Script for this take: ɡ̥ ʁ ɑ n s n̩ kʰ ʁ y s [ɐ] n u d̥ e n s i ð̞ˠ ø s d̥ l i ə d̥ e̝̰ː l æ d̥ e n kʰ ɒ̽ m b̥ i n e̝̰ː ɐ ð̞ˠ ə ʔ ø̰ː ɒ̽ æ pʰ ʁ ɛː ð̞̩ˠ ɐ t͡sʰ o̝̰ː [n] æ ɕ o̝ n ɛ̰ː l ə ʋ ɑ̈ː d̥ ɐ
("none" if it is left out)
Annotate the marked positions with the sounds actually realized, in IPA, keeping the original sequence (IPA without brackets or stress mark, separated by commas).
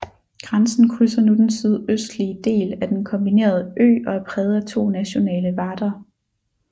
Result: ɐ, n